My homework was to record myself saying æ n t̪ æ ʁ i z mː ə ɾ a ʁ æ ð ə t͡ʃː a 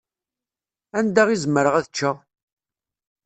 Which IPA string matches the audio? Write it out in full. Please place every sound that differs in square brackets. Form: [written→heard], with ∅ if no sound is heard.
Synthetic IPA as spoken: æ n [t̪→d̪] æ ʁ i z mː ə ɾ [a→ə] ʁ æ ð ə t͡ʃː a